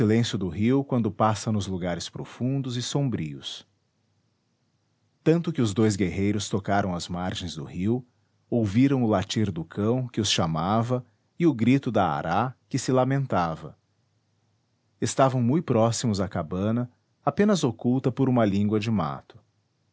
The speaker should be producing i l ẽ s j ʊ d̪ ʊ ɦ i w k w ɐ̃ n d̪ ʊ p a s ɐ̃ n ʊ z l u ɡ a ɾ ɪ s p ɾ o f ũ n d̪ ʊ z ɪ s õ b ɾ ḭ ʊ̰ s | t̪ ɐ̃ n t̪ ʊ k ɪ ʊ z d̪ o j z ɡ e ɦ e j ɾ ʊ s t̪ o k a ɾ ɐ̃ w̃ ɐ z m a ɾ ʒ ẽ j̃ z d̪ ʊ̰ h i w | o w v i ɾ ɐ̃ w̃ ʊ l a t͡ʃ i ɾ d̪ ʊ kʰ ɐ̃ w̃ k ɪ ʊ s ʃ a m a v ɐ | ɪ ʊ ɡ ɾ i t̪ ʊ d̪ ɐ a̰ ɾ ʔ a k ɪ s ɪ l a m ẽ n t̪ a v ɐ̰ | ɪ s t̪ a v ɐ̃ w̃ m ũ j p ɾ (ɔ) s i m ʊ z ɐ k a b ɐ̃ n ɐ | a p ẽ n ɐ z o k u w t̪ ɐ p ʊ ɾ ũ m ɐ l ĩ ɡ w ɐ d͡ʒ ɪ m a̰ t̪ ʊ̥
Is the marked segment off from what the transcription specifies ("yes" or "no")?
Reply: no